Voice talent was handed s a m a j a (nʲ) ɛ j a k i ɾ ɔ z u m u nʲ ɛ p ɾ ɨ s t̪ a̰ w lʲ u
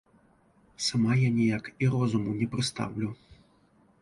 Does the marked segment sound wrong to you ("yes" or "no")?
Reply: no